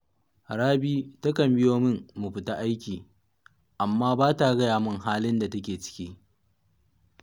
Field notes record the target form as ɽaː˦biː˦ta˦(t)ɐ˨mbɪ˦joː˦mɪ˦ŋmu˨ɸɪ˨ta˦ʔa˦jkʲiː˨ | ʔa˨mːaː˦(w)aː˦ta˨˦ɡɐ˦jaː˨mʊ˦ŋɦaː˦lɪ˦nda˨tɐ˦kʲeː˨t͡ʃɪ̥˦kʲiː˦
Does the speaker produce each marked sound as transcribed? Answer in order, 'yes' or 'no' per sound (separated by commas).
no, no